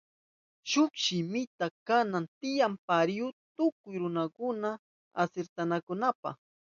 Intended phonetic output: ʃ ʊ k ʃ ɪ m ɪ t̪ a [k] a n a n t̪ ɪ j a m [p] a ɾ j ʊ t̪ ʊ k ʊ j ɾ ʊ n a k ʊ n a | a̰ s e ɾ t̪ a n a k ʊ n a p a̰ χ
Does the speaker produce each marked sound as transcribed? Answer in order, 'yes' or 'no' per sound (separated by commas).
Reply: yes, yes